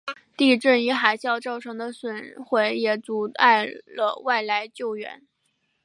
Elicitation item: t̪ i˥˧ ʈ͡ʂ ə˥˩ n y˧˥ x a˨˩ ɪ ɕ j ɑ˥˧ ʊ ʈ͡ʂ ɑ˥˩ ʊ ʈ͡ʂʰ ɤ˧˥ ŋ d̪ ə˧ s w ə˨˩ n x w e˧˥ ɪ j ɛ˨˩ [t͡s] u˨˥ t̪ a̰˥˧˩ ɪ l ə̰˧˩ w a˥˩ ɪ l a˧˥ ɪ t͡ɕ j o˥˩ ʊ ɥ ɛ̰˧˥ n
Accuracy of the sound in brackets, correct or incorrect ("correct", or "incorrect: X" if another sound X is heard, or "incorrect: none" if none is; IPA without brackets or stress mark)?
correct